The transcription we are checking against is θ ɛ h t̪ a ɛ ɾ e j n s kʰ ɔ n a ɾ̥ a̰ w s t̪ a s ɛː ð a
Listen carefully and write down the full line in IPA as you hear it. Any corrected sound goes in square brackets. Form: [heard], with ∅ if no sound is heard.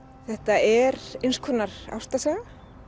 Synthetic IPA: θ ɛ h t̪ a ɛ ɾ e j n s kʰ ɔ n a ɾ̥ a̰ w s t̪ a s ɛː [ɣ] a